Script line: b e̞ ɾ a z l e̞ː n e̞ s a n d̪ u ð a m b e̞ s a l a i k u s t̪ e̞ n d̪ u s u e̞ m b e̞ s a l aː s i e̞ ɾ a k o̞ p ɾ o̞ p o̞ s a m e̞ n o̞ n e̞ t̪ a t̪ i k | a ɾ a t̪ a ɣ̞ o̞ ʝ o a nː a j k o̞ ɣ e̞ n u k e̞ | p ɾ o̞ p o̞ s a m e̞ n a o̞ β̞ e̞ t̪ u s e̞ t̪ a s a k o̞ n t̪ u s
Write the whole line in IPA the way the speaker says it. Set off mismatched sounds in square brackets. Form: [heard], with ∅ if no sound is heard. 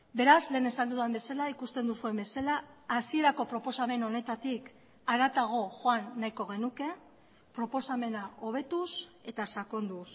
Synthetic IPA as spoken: b e̞ ɾ a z l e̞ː n e̞ s a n d̪ u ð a m b e̞ s a l a i k u s t̪ e̞ n d̪ u s u e̞ m b e̞ s a l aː s i e̞ ɾ a k o̞ p ɾ o̞ p o̞ s a m e̞ n o̞ n e̞ t̪ a t̪ i k | a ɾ a t̪ a ɣ̞ o̞ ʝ o a nː a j k o̞ ɣ e̞ n u k e̞ | p ɾ o̞ p o̞ s a m e̞ n a o̞ β̞ e̞ t̪ u s e̞ t̪ a s a k o̞ n [d̪] u s

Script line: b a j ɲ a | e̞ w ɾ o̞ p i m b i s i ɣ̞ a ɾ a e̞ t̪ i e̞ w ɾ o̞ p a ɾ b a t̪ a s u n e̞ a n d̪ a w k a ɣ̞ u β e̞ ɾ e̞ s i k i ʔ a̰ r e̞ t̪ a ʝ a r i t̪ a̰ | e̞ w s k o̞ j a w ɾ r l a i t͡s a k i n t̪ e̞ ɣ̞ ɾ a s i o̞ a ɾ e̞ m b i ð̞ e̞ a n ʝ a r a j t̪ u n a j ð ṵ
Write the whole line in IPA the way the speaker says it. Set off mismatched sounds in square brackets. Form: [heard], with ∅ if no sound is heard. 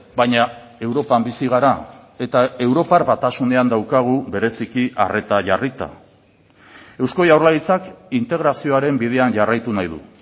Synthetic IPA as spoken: b a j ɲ a | e̞ w ɾ o̞ p [a] m b i s i ɣ̞ a ɾ a e̞ t̪ [a] e̞ w ɾ o̞ p a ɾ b a t̪ a s u n e̞ a n d̪ a w k a ɣ̞ u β e̞ ɾ e̞ s i k i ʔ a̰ r e̞ t̪ a ʝ a r i t̪ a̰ | e̞ w s k o̞ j a w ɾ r l a i t͡s a k i n t̪ e̞ ɣ̞ ɾ a s i o̞ a ɾ e̞ m b i ð̞ e̞ a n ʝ a r a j t̪ u n a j ð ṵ

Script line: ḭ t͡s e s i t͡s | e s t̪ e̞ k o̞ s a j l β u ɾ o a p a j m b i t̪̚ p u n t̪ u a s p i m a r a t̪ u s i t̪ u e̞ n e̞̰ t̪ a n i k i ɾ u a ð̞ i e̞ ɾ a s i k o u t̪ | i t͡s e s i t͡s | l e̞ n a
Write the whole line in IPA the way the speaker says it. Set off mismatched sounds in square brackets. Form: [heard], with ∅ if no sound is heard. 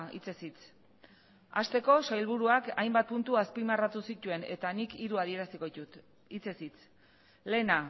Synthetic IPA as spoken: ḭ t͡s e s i t͡s | [a] s t̪ e̞ k o̞ s a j l β u ɾ [u] a [k] a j m b [a] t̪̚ p u n t̪ u a s p i m a r a t̪ u s i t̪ u e̞ n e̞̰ t̪ a n i k i ɾ u a ð̞ i e̞ ɾ a s i k o u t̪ | i t͡s e s i t͡s | l e̞ n a

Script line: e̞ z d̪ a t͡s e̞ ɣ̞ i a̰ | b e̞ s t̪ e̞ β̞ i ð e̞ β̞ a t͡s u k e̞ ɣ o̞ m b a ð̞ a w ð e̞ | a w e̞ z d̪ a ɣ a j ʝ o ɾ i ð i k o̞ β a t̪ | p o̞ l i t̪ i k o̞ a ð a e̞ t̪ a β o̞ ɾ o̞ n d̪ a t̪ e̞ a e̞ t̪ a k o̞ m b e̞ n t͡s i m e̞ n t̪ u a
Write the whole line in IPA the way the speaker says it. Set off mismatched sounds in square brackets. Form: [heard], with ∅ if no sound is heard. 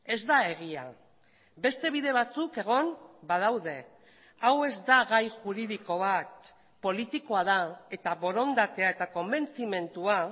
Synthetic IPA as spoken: e̞ z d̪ a [∅] e̞ ɣ̞ i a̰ | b e̞ s t̪ e̞ β̞ i ð e̞ β̞ a t͡s u k e̞ ɣ o̞ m b a ð̞ a w ð e̞ | a w e̞ z d̪ a ɣ a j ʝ [u] ɾ i ð i k o̞ β a t̪ | p o̞ l i t̪ i k o̞ a ð a e̞ t̪ a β o̞ ɾ o̞ n d̪ a t̪ e̞ a e̞ t̪ a k o̞ m b e̞ n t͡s i m e̞ n t̪ u a

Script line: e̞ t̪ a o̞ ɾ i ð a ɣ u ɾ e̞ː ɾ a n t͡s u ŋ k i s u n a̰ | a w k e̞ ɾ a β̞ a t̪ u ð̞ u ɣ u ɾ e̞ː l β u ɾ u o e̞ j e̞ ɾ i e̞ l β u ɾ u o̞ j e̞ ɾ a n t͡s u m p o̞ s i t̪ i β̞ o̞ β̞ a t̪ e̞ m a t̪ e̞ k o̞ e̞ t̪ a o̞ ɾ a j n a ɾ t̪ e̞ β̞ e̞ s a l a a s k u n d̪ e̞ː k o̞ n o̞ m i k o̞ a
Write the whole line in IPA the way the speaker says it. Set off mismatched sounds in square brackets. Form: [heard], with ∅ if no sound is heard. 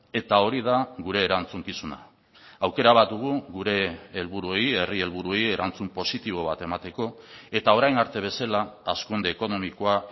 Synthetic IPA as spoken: e̞ t̪ a o̞ ɾ i ð a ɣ u ɾ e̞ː ɾ a n t͡s u ŋ k i s u n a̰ | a w k e̞ ɾ a β̞ a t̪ u [ɣ̞] u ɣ u ɾ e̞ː l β u ɾ u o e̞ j e̞ [r] i e̞ l β u ɾ u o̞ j e̞ ɾ a n t͡s u m p o̞ s i t̪ i β̞ o̞ β̞ a t̪ e̞ m a t̪ e̞ k o̞ e̞ t̪ a o̞ ɾ a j n a ɾ t̪ e̞ β̞ e̞ s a l a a s k u n d̪ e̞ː k o̞ n o̞ m i k o̞ a

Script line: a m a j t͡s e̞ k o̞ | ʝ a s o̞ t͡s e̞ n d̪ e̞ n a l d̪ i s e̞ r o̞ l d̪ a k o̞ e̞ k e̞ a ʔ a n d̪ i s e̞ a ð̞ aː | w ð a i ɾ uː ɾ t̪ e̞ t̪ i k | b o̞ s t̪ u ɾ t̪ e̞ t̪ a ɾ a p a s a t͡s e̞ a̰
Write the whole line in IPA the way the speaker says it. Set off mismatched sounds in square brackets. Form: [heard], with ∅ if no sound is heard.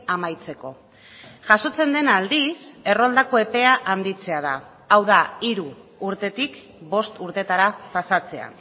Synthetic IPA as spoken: a m a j t͡s e̞ k o̞ | ʝ a s o̞ t͡s e̞ n d̪ e̞ n a l d̪ i s e̞ r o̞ l d̪ a k o̞ e̞ [p] e̞ a ʔ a n d̪ i [t͡s] e̞ a ð̞ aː | w ð a i ɾ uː ɾ t̪ e̞ t̪ i k | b o̞ s t̪ u ɾ t̪ e̞ t̪ a ɾ a p a s a t͡s e̞ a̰

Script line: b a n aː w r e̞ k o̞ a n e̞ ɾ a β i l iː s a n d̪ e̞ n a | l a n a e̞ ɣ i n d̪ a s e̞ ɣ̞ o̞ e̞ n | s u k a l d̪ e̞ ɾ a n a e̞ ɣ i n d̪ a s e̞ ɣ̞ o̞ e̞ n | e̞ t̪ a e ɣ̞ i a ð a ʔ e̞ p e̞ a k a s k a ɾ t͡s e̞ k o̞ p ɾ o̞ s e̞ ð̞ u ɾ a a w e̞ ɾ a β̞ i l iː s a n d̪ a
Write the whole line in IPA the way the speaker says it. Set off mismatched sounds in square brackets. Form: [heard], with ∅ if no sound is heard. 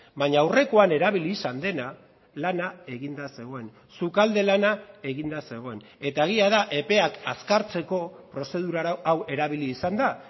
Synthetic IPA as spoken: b a [ɲ] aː w r e̞ k o̞ a n e̞ ɾ a β i l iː s a n d̪ e̞ n a | l a n a e̞ ɣ i n d̪ a s e̞ ɣ̞ o̞ e̞ n | s u k a l d̪ e̞ [l] a n a e̞ ɣ i n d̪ a s e̞ ɣ̞ o̞ e̞ n | e̞ t̪ a e ɣ̞ i a ð a ʔ e̞ p e̞ a k a s k a ɾ t͡s e̞ k o̞ p ɾ o̞ s e̞ ð̞ u ɾ a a w e̞ ɾ a β̞ i l iː s a n d̪ a

